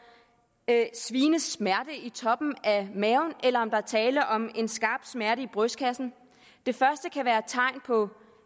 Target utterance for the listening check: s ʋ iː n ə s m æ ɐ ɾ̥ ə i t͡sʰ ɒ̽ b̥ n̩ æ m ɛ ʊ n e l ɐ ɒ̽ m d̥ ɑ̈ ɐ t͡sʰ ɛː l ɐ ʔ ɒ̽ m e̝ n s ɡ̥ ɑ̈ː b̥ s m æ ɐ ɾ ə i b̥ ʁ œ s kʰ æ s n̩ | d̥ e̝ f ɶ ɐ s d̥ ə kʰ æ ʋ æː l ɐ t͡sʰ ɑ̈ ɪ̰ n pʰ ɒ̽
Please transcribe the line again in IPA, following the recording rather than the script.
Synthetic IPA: s ʋ iː n ə s m æ ɐ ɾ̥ ə i t͡sʰ ɒ̽ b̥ n̩ æ m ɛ ʊ n e l ɐ ɒ̽ m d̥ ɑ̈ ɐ t͡sʰ ɛː l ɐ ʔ ɒ̽ m e̝ n s ɡ̥ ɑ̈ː b̥ s m æ ɐ ɾ ə i b̥ ʁ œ s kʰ æ s n̩ | d̥ e̝ f ɶ ɐ s d̥ ə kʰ æ ʋ æː ɐ t͡sʰ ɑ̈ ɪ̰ n pʰ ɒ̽